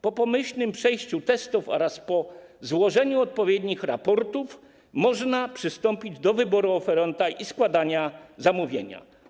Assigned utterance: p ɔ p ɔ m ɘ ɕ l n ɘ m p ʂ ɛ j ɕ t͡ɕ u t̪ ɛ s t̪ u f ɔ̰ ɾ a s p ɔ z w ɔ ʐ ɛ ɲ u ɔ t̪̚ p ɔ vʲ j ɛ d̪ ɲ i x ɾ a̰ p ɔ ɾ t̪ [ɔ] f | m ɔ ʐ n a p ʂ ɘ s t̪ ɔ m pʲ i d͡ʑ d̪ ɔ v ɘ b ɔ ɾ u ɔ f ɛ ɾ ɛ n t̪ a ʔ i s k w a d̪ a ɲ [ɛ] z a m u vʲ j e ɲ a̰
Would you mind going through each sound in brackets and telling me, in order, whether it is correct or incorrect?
incorrect: u, incorrect: a

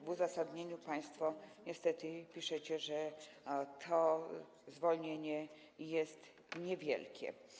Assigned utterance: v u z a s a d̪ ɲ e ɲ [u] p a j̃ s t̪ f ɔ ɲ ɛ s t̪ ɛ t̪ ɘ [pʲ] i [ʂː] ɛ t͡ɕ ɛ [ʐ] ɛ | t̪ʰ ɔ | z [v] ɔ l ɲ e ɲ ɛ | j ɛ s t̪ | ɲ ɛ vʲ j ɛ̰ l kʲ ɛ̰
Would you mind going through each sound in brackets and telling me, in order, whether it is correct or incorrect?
correct, correct, incorrect: ʂ, correct, correct

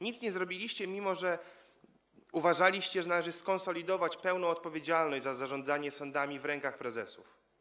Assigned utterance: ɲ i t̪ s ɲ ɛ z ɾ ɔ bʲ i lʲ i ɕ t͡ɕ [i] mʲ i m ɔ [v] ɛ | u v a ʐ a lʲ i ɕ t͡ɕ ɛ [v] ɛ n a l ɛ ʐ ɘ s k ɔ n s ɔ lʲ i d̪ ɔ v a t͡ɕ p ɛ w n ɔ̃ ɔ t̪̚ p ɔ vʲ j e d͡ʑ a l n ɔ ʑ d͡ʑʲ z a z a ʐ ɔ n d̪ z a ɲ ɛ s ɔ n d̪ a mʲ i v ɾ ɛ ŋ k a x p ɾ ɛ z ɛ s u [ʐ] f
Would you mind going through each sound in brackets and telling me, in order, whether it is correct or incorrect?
incorrect: ɛ, incorrect: ʐ, incorrect: ʐ, incorrect: none

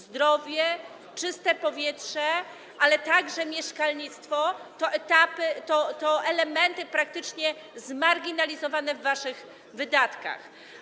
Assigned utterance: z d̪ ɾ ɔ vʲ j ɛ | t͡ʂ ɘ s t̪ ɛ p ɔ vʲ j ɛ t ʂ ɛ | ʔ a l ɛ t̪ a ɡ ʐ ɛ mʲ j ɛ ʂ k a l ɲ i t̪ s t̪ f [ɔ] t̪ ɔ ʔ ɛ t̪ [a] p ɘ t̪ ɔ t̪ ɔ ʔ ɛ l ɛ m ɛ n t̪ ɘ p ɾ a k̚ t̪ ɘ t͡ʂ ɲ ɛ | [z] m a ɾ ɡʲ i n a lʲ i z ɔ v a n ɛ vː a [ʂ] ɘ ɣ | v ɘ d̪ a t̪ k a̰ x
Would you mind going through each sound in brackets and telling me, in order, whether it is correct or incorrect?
correct, correct, correct, correct

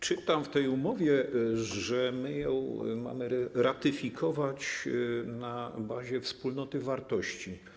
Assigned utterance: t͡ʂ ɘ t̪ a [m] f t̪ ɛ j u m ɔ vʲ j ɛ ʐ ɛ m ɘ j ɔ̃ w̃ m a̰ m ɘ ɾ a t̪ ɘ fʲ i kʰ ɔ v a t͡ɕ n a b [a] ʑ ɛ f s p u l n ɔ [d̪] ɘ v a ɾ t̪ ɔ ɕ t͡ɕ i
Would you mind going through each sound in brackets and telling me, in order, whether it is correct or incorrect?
correct, correct, incorrect: t̪

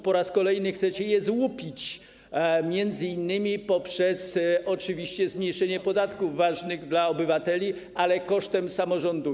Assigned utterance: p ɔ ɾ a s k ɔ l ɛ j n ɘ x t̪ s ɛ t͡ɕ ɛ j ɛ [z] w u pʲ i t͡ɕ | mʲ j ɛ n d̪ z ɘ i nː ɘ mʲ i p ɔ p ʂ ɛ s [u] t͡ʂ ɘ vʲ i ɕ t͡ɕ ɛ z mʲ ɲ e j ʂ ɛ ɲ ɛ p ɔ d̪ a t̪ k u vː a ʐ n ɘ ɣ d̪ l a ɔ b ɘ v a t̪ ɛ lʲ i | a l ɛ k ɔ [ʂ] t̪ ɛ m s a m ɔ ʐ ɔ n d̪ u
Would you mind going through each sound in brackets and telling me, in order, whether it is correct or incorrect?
correct, incorrect: ɔ, correct

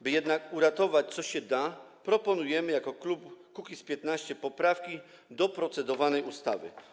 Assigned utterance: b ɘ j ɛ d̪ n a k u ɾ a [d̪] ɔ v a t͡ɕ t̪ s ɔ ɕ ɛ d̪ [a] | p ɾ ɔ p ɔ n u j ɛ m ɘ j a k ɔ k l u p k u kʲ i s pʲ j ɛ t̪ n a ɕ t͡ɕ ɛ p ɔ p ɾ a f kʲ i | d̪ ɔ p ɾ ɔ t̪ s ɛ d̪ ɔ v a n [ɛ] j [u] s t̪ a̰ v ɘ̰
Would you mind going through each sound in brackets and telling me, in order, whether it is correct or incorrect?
incorrect: t̪, correct, correct, correct

